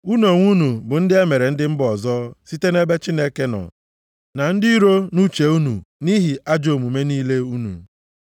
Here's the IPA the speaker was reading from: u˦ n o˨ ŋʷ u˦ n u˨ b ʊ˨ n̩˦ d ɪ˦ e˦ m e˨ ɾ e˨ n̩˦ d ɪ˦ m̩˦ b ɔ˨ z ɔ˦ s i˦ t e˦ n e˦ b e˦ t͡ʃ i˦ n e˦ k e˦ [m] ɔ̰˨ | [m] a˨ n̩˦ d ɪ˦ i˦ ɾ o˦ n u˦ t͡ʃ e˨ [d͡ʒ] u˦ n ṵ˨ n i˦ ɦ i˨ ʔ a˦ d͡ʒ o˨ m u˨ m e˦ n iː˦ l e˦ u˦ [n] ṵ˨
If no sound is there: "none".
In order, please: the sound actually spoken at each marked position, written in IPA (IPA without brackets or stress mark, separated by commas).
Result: n, n, none, n